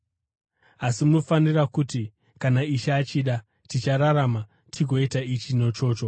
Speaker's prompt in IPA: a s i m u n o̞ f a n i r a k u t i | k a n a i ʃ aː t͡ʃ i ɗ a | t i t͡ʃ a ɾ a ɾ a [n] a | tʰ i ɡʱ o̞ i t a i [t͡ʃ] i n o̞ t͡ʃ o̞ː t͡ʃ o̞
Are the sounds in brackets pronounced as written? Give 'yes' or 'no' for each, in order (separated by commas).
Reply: no, yes